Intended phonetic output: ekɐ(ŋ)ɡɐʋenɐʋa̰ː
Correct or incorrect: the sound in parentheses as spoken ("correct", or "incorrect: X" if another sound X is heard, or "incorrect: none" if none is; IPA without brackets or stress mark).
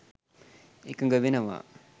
correct